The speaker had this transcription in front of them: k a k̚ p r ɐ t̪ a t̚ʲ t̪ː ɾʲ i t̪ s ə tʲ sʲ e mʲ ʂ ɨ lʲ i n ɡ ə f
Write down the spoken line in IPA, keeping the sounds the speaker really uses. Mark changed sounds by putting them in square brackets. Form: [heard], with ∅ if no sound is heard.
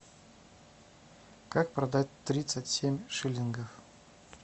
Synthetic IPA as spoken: k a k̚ p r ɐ [d̪] a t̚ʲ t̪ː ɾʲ i t̪ s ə tʲ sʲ e mʲ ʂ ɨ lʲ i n ɡ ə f